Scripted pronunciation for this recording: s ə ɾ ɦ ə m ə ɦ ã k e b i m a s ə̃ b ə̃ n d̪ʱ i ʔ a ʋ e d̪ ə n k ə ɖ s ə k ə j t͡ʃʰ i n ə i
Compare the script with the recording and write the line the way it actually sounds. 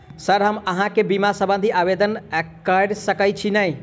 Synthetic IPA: s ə ɾ ɦ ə m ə ɦ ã k e b i m a s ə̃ b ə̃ n d̪ʱ i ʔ a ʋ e d̪ ə n k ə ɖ s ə k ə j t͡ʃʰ i n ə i